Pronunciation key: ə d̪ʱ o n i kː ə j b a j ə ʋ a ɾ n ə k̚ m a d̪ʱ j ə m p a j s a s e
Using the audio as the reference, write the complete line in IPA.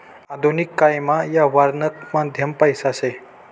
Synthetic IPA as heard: a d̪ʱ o n i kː a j m a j a ʋ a ɾ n ə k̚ m a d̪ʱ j ə m p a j s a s e